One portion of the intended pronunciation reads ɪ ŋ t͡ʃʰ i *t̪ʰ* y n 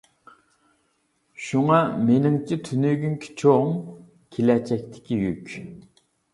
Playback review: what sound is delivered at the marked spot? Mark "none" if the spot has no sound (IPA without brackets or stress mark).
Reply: t̪ʰ